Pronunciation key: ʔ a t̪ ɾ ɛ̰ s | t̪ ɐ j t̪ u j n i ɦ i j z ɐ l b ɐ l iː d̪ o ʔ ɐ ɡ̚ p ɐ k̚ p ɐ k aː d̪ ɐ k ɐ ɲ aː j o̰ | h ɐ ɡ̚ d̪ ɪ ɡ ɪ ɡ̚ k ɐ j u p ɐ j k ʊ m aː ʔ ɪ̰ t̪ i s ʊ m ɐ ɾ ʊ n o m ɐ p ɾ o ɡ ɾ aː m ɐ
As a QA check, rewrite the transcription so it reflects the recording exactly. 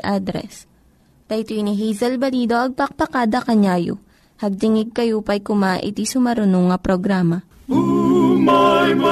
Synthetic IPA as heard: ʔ a d̪ ɾ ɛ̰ s | t̪ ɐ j t̪ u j n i ɦ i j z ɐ l b ɐ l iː d̪ o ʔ ɐ ɡ̚ p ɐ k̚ p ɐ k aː d̪ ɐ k ɐ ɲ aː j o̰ | h ɐ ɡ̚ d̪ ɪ ŋ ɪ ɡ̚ k ɐ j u p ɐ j k ʊ m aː ʔ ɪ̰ t̪ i s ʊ m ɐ ɾ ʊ n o ŋ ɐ p ɾ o ɡ ɾ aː m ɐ